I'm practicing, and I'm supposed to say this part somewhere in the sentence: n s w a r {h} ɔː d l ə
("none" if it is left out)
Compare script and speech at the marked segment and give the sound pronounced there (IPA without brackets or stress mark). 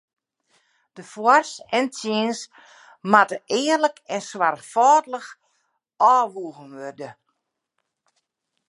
f